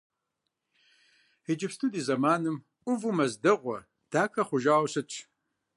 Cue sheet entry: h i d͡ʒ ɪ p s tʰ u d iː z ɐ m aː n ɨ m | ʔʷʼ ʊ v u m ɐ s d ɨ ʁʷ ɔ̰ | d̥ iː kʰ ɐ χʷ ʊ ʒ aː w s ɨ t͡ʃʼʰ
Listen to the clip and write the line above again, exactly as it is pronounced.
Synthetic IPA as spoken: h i d͡ʒ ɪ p s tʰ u d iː z ɐ m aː n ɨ m | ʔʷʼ ʊ v u m ɐ z d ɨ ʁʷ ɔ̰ | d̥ aː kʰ ɐ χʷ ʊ ʒ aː w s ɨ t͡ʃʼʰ